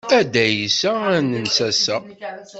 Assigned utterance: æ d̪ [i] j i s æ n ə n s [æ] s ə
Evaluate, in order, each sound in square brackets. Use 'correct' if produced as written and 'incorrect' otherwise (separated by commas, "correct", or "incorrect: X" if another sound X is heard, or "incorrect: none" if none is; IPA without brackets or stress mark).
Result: incorrect: æ, correct